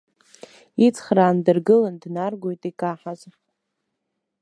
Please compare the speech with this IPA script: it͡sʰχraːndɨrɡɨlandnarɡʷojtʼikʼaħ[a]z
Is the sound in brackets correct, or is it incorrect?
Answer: correct